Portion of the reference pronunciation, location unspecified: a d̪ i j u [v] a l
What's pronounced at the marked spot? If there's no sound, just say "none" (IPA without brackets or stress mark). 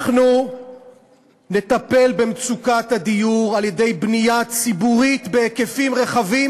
ʁ